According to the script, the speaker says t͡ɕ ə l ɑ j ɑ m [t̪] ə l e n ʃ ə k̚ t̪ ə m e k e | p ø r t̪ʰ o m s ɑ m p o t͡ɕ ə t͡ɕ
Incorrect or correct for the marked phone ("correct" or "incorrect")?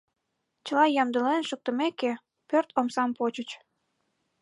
incorrect